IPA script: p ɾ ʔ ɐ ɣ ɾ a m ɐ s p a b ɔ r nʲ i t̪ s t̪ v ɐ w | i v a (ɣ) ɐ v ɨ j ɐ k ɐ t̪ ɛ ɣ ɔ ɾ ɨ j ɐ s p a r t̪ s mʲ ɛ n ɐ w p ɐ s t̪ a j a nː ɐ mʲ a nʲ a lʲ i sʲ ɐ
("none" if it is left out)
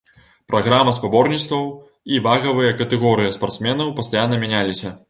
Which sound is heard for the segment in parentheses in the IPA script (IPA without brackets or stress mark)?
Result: ɣ